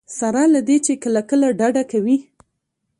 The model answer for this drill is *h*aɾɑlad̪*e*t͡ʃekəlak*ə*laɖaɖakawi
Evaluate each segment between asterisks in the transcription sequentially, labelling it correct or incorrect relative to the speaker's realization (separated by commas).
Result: incorrect, correct, correct